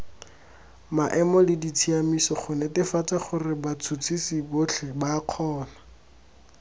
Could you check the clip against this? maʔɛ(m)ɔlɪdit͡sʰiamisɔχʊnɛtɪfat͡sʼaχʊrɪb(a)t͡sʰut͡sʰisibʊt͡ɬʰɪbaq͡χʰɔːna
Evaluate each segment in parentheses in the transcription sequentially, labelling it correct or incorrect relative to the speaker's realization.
correct, correct

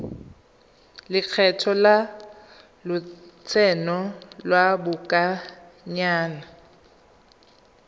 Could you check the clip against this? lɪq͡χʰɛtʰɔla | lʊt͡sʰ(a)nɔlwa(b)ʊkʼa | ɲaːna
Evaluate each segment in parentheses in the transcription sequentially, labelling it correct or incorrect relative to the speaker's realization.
incorrect: ɛ, correct

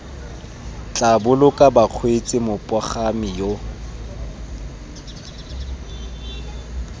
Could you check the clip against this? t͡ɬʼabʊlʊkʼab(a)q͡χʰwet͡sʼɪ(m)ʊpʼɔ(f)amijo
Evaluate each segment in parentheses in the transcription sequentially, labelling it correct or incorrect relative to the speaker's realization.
correct, correct, incorrect: χ

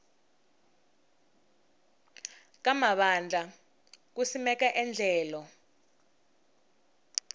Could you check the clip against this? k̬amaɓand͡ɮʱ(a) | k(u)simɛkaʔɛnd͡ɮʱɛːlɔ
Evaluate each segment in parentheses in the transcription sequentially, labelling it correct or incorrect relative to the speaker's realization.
correct, correct

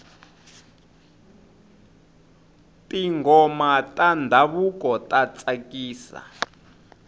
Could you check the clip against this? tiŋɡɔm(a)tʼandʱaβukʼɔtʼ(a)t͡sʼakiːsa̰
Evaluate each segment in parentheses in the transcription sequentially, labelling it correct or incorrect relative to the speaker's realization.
correct, correct

